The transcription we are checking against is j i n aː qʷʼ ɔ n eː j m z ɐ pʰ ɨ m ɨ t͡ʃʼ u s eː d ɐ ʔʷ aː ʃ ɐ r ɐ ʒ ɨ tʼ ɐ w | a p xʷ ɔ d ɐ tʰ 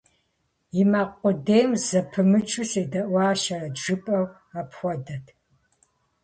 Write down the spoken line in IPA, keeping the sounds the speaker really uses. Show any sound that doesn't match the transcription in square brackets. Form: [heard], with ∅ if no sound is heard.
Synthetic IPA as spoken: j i [m] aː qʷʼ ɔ [d] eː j m z ɐ pʰ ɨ m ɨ t͡ʃʼ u s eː d ɐ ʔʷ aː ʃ ɐ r ɐ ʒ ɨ [pʼ] ɐ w | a p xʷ ɔ d ɐ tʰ

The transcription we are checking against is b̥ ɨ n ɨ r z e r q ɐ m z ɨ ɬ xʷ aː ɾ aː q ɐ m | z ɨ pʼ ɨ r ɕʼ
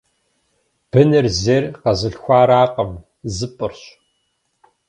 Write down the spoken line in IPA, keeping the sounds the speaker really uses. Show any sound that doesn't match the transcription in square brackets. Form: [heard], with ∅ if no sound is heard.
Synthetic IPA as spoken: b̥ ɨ n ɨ r z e r q ɐ [∅] z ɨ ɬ xʷ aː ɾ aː q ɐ m | z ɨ pʼ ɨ r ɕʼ

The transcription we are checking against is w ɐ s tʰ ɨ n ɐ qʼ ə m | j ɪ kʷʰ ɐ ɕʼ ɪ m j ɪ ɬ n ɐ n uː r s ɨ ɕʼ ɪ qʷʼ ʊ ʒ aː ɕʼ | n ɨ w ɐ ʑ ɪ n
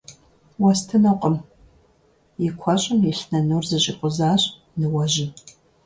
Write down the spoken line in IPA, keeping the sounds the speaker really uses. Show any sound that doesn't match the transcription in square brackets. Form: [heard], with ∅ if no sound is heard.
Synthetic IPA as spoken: w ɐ s tʰ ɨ n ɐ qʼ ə m | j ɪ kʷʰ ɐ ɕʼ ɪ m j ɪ ɬ n ɐ n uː r [z] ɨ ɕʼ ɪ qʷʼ ʊ [z] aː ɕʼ | n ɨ w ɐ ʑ ɪ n

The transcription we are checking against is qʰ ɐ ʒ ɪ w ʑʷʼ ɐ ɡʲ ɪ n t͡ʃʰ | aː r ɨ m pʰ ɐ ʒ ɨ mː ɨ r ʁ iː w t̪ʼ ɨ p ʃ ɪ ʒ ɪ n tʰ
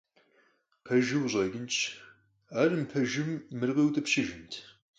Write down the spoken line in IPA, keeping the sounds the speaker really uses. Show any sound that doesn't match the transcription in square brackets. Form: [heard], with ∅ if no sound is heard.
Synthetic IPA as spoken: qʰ ɐ ʒ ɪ w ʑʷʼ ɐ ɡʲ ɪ n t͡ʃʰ | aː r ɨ m pʰ ɐ ʒ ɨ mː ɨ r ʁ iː w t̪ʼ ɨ p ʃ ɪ ʒ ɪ n tʰ

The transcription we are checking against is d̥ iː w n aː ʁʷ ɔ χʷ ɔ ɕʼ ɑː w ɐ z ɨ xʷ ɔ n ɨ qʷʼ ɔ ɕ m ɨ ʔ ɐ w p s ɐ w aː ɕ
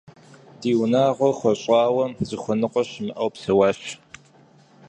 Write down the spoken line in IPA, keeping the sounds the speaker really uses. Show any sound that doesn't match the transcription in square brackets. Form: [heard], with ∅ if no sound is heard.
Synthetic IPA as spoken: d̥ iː w n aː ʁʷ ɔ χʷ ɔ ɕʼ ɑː w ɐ z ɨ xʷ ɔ n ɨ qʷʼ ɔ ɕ m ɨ ʔ ɐ w p s ɐ w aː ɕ

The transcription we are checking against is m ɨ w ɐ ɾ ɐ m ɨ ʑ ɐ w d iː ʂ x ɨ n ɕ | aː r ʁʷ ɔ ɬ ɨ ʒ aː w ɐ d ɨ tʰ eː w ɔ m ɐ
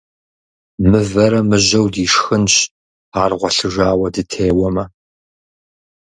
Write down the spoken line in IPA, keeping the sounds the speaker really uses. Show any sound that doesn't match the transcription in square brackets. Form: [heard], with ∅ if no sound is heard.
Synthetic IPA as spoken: m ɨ [v] ɐ ɾ ɐ m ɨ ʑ ɐ w d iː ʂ x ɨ n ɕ | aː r ʁʷ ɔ ɬ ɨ ʒ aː w ɐ d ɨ tʰ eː w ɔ m ɐ

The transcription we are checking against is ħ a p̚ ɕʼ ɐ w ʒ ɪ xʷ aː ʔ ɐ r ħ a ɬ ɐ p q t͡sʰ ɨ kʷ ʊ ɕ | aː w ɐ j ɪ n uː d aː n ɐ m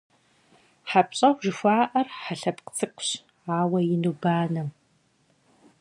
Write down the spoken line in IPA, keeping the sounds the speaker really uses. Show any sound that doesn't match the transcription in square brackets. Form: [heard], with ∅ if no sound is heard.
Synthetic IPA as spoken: ħ a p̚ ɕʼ ɐ w ʒ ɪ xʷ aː ʔ ɐ r ħ a ɬ ɐ p q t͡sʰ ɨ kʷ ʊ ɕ | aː w ɐ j ɪ n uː [b] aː n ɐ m

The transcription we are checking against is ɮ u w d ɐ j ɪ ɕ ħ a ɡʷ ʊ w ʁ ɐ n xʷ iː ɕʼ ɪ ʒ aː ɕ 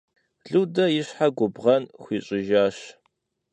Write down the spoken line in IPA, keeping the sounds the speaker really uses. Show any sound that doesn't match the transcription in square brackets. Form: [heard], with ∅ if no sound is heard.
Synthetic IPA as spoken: ɮ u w d ɐ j ɪ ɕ ħ a ɡʷ ʊ [b] ʁ ɐ n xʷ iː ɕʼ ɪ ʒ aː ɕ

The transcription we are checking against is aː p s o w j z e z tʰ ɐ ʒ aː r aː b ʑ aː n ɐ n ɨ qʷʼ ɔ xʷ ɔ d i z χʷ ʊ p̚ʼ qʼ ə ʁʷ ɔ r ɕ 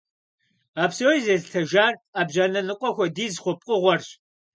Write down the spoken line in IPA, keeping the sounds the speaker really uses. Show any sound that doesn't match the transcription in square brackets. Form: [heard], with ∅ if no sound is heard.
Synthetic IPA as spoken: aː p s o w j z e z tʰ ɐ ʒ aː r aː b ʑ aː n ɐ n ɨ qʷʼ ɔ xʷ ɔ d [iː] z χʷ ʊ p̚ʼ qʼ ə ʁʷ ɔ r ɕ

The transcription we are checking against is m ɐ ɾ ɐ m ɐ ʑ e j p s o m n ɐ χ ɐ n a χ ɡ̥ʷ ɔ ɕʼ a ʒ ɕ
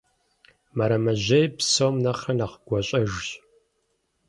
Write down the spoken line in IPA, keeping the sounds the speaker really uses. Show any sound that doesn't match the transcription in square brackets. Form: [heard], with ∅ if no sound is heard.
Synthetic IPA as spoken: m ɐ ɾ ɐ m ɐ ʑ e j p s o m n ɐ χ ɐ n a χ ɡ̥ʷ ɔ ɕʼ [ɐ] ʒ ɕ

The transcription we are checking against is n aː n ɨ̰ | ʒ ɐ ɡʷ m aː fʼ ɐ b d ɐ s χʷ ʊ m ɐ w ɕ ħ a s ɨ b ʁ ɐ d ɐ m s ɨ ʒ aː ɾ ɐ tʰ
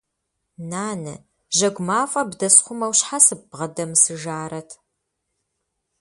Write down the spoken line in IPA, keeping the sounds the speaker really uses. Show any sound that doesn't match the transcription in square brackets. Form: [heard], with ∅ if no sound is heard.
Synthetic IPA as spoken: n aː n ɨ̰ | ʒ ɐ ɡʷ m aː fʼ ɐ b d ɐ s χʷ ʊ m ɐ w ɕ ħ a s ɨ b ʁ ɐ d ɐ m s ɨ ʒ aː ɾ ɐ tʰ

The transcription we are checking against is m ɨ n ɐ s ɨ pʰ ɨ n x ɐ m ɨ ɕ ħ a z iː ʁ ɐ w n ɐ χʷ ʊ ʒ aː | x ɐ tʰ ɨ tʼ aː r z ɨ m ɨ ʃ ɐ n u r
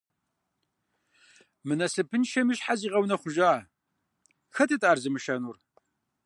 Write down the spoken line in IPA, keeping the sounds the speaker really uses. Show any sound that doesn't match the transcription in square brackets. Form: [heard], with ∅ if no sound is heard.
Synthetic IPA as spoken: m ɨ n ɐ s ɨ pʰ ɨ n [ʃ] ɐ m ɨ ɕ ħ a z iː ʁ ɐ w n ɐ χʷ ʊ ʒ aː | x ɐ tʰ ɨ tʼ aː r z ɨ m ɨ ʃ ɐ n u r

